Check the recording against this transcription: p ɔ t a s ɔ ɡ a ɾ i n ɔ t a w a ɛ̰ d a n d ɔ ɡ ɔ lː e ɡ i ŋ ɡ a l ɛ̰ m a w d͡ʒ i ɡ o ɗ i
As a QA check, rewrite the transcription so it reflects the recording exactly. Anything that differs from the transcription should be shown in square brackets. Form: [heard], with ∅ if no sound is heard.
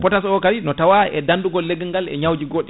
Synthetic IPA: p ɔ t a s ɔ [k] a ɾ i n ɔ t a w a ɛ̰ d a n d [u] ɡ ɔ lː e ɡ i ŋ ɡ a l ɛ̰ [ɲ] a w d͡ʒ i ɡ o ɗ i